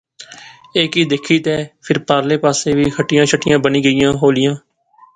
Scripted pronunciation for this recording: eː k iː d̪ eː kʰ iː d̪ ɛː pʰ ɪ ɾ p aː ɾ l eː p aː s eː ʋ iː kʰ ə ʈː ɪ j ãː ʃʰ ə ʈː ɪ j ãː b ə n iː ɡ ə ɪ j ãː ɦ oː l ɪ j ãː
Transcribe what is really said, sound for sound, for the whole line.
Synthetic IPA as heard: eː k iː d̪ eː kʰ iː t̪ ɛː pʰ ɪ ɾ p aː ɾ l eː p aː s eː ʋ iː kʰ ə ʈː ɪ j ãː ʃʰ ə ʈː ɪ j ãː b ə n iː ɡ ə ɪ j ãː ɦ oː l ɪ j ãː